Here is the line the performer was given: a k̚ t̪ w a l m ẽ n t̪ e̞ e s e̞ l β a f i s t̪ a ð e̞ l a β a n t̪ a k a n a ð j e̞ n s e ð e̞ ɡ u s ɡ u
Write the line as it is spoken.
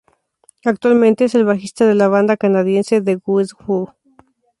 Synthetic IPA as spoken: a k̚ t̪ w a l m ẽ n t̪ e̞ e s e̞ l β a x i s t̪ a ð e̞ l a β a n d̪ a k a n a ð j e̞ n s e ð e̞ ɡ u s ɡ u